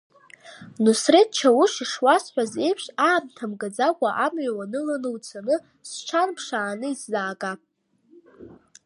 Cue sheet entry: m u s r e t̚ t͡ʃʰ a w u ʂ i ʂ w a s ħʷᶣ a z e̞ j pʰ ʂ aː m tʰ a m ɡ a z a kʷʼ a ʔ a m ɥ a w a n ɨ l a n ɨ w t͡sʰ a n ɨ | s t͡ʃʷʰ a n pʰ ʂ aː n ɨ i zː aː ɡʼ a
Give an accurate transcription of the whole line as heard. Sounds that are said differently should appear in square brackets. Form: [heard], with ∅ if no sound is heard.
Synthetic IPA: [n] u s r e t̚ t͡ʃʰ a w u ʂ i ʂ w a s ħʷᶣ a z e̞ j pʰ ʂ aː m tʰ a m ɡ a [d͡z] a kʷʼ a ʔ a m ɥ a w a n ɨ l a n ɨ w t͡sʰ a n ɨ | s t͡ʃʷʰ a n pʰ ʂ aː n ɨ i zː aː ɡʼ a